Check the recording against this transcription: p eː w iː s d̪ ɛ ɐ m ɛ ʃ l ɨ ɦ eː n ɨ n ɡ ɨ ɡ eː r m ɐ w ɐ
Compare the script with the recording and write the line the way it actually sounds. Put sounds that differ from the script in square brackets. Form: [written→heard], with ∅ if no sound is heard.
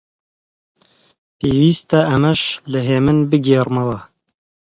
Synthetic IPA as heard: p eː w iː s [d̪→t̪] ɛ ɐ m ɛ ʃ l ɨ ɦ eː [n→m] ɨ n [ɡ→b] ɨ ɡ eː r m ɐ w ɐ